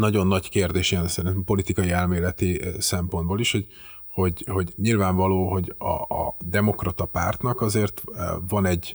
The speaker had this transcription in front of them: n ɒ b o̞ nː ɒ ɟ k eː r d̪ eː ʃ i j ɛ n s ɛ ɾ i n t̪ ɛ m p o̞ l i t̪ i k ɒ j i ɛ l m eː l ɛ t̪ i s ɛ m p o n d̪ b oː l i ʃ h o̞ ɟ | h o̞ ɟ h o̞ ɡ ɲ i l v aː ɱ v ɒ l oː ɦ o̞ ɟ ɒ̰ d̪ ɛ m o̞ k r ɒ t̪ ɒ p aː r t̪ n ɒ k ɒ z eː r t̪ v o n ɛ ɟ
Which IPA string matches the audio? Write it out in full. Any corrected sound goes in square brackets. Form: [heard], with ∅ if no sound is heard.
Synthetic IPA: n ɒ [ɟ] o̞ nː ɒ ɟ k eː r d̪ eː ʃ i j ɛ n s ɛ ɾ i n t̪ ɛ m p o̞ l i t̪ i k ɒ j i ɛ l m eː l ɛ t̪ i s ɛ m p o n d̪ b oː l i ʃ h o̞ ɟ | h o̞ ɟ h o̞ [ɟ] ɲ i l v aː ɱ v ɒ l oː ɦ o̞ ɟ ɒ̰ d̪ ɛ m o̞ k r ɒ t̪ ɒ p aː r t̪ n ɒ k ɒ z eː r t̪ v [ɒ] n ɛ ɟ